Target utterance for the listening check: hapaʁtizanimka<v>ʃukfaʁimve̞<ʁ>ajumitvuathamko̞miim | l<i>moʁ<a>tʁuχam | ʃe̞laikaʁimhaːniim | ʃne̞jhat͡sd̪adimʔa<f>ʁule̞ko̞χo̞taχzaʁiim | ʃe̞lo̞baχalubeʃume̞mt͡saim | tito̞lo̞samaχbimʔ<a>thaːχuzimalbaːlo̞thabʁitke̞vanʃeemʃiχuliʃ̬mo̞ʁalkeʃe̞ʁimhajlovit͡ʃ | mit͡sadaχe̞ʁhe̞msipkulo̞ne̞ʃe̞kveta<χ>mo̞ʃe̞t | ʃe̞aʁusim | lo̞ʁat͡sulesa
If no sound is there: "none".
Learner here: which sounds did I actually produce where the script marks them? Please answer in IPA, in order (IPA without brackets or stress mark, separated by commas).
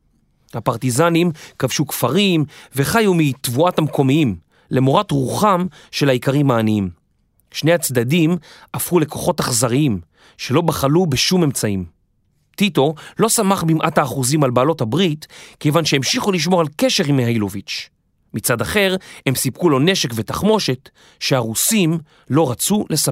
v, χ, e, a, f, a, χ